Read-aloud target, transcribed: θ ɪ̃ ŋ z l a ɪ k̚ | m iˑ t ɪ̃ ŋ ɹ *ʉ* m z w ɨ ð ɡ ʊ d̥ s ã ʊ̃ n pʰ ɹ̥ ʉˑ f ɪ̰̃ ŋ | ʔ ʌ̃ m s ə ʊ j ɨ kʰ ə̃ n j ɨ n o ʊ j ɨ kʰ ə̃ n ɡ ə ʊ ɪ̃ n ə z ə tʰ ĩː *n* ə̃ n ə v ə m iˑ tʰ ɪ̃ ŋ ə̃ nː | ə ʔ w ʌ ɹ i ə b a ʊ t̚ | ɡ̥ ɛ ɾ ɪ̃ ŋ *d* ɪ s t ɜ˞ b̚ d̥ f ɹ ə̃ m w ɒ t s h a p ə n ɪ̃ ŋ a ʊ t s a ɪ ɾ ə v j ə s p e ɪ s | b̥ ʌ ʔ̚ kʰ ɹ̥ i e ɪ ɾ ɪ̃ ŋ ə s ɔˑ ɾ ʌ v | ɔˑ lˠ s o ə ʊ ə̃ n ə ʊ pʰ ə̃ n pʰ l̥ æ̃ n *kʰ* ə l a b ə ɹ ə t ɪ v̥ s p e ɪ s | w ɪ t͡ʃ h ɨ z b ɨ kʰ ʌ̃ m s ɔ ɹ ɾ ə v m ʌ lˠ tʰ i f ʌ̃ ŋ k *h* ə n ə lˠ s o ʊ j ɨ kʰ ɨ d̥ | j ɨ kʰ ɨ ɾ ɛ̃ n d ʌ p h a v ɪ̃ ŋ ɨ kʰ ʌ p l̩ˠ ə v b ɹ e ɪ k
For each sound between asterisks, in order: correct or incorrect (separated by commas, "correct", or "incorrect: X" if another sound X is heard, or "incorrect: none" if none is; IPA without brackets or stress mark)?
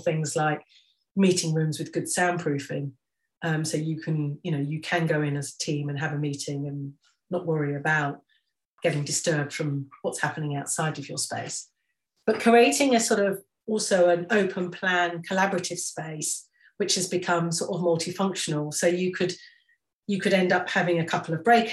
incorrect: ʉ̃, incorrect: m, correct, correct, incorrect: ʃ